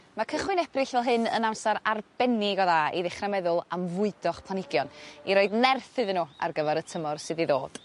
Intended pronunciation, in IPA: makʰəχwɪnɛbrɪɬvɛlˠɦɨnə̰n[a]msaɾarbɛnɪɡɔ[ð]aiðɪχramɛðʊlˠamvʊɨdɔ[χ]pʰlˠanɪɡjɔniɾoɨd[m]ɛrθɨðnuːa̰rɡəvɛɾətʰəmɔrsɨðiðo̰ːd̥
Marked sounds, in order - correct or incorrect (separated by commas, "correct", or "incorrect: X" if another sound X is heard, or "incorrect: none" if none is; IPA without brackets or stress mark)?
correct, correct, correct, incorrect: n